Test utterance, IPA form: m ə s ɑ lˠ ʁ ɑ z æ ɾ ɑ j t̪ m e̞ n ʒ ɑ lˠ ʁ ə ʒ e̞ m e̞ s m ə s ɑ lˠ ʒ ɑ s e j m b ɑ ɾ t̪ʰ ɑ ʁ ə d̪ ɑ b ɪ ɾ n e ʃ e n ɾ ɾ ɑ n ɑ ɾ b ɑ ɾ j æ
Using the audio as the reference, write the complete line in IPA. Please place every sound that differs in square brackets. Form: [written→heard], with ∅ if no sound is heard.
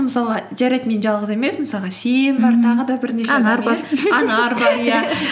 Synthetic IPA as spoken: m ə s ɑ lˠ ʁ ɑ [z→ʒ] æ ɾ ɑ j t̪ m e̞ n ʒ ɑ lˠ ʁ ə [ʒ→z] e̞ m e̞ s m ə s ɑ lˠ [ʒ→ʁ] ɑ s e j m b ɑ ɾ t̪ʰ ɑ ʁ ə d̪ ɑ b ɪ ɾ n e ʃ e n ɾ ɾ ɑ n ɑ ɾ b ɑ ɾ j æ

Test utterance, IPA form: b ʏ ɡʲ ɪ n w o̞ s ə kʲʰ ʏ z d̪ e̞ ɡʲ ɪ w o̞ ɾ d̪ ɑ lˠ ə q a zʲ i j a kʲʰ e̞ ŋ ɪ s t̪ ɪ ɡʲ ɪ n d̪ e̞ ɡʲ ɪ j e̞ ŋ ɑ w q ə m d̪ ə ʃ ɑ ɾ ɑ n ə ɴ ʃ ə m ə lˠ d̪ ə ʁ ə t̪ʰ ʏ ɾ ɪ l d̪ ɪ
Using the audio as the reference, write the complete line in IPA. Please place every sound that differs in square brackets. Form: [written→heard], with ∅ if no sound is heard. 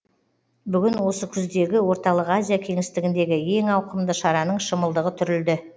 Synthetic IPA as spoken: b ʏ ɡʲ ɪ n w o̞ s ə kʲʰ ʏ z d̪ e̞ ɡʲ ɪ w o̞ ɾ [d̪→t̪] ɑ lˠ ə q a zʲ i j a kʲʰ e̞ ŋ ɪ s t̪ ɪ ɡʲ ɪ n d̪ e̞ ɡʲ ɪ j e̞ ŋ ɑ w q ə m d̪ ə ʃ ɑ ɾ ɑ n ə ɴ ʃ ə m ə lˠ d̪ ə ʁ ə t̪ʰ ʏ ɾ ɪ l d̪ ɪ

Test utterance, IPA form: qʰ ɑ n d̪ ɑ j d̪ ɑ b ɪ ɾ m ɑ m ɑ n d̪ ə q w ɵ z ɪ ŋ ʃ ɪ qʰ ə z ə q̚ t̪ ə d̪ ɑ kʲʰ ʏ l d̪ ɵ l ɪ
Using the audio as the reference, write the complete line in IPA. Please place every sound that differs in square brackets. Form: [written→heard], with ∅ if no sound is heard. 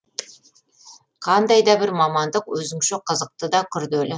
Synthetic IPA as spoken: qʰ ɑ n d̪ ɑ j d̪ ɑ b ɪ ɾ m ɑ m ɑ n d̪ ə q w ɵ z ɪ ŋ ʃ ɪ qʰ ə z ə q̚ t̪ ə d̪ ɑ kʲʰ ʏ [l→ɾ] d̪ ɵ l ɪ

